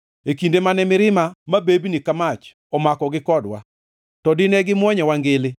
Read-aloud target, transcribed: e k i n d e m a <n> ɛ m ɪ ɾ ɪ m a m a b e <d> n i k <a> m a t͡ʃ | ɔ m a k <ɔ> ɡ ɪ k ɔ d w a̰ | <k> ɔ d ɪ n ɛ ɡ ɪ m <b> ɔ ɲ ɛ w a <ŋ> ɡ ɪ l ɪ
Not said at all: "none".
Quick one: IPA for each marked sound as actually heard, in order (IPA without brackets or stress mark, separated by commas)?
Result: n, b, a, ɔ, t, w, ŋ